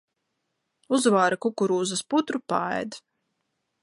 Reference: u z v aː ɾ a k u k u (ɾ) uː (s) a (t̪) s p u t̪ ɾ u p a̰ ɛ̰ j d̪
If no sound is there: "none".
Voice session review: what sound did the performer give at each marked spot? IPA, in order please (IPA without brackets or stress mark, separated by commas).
ɾ, z, none